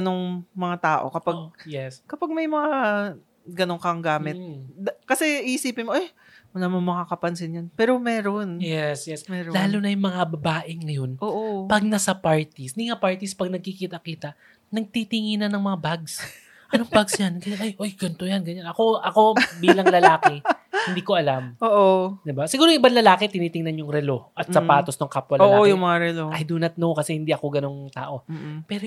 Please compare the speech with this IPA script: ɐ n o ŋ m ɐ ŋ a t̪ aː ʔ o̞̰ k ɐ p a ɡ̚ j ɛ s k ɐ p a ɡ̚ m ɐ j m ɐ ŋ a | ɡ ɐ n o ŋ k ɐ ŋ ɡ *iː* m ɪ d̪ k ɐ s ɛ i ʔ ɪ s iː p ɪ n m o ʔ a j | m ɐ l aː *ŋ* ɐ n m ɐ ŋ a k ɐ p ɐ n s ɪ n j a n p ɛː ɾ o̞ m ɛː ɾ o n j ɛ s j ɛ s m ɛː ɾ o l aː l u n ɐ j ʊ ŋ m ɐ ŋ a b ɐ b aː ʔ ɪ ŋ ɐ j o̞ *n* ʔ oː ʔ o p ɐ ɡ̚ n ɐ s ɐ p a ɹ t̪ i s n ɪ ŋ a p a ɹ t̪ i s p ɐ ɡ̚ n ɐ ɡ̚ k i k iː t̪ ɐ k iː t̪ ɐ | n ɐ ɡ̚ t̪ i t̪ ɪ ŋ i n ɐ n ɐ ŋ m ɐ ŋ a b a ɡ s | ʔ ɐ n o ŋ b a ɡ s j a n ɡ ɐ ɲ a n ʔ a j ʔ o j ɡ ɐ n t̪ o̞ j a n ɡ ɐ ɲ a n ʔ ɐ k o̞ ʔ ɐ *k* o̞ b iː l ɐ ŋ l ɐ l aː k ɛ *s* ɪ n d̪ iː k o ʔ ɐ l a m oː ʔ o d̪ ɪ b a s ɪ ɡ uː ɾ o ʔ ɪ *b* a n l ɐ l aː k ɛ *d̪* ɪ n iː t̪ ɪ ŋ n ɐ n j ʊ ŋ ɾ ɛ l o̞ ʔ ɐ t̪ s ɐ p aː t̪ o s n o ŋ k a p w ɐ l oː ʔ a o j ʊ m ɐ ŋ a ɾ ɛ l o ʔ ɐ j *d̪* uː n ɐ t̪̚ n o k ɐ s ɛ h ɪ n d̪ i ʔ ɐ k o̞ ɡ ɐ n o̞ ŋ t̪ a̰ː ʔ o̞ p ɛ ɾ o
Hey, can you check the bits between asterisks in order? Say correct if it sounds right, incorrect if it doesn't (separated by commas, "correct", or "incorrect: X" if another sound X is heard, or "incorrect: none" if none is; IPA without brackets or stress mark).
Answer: incorrect: aː, incorrect: m, correct, correct, incorrect: h, correct, incorrect: t̪, correct